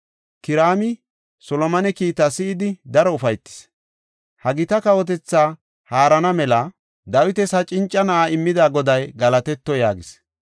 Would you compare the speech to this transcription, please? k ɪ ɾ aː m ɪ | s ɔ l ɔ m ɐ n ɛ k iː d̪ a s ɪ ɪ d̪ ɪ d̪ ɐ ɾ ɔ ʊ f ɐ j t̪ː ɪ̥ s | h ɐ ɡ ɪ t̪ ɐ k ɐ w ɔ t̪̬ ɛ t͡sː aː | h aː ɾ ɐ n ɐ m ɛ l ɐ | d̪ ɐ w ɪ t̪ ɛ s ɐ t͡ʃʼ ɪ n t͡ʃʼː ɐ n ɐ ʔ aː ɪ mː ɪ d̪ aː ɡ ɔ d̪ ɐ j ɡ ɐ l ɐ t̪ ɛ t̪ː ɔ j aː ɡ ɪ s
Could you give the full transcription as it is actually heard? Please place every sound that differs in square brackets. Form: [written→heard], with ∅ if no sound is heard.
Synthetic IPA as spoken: k ɪ ɾ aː m ɪ | s ɔ l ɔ m ɐ n ɛ k iː [d̪→t̪] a s ɪ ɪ d̪ ɪ d̪ ɐ ɾ ɔ ʊ f ɐ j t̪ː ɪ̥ s | h ɐ ɡ ɪ t̪ ɐ k ɐ w ɔ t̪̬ ɛ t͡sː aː | h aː ɾ ɐ n ɐ m ɛ l ɐ | d̪ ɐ w ɪ t̪ ɛ s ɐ t͡ʃʼ ɪ n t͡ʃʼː ɐ n ɐ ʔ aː ɪ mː ɪ d̪ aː ɡ ɔ d̪ ɐ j ɡ ɐ l ɐ t̪ ɛ t̪ː ɔ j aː ɡ ɪ s